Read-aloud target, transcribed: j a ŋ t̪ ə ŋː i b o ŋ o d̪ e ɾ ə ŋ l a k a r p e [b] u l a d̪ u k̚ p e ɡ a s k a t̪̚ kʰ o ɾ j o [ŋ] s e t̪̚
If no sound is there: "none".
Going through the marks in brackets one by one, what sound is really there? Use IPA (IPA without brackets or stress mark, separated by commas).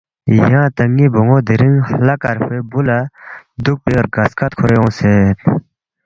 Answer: b, ŋ